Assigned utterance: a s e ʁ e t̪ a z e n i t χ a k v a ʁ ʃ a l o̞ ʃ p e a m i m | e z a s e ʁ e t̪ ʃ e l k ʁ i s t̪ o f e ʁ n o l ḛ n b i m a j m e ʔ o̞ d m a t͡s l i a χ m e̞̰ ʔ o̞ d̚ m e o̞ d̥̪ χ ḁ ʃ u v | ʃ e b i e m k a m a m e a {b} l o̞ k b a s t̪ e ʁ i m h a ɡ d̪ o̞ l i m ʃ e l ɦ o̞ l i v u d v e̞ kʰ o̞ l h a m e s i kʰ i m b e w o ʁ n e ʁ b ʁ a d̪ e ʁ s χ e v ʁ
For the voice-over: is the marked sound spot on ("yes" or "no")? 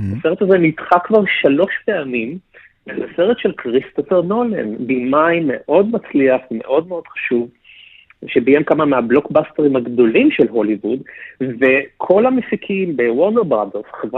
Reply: yes